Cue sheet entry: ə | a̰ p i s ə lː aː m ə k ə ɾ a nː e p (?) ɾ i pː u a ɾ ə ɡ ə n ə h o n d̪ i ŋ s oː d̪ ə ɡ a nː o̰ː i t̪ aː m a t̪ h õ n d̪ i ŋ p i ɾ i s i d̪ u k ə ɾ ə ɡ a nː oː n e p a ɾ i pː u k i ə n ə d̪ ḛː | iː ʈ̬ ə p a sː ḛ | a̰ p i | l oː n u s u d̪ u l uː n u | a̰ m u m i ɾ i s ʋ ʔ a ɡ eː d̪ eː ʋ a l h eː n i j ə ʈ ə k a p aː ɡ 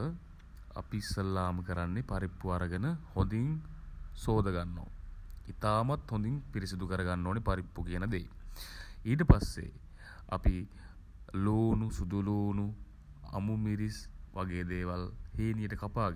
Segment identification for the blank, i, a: a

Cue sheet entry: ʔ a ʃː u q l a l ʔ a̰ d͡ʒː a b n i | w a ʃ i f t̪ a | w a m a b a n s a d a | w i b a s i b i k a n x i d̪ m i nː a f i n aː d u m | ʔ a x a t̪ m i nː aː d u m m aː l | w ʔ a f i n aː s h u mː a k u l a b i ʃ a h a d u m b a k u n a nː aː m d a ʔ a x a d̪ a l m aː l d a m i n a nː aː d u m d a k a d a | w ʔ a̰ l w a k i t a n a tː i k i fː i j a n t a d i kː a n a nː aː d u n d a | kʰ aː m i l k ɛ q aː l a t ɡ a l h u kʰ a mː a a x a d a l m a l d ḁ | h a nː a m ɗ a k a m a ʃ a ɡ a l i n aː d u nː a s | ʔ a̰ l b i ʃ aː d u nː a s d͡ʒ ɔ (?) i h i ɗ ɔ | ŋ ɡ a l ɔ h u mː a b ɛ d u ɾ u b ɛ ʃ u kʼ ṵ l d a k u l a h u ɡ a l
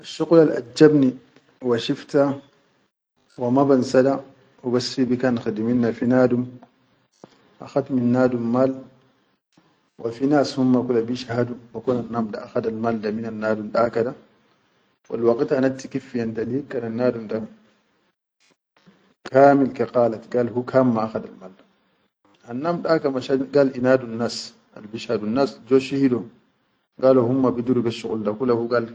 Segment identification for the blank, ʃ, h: ʃ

